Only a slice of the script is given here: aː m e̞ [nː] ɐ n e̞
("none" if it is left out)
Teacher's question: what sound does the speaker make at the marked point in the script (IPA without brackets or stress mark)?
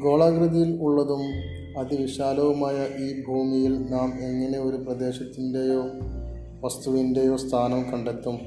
ŋː